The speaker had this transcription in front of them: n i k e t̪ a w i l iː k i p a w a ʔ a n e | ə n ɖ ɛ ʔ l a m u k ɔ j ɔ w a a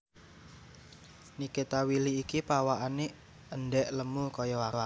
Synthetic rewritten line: n i k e t̪ a w i l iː k i p a w a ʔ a n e | ə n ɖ ɛ ʔ l ə m u k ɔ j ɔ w a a

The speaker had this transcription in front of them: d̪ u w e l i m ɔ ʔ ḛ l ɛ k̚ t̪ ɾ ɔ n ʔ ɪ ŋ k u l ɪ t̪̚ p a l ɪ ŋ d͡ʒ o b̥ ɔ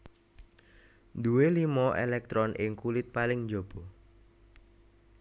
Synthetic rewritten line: d̪ u w e l i m ɔ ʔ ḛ l ɛ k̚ t̪ ɾ ɔ n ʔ ɪ ŋ k u l ɪ t̪̚ p a l ɪ ŋ d͡ʒ o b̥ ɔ

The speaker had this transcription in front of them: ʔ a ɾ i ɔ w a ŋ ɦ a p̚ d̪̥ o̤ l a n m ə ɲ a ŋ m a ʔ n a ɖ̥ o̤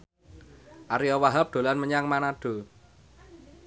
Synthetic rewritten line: ʔ a ɾ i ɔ w a ɦ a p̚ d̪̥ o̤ l a n m ə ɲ a ŋ m a n a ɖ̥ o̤

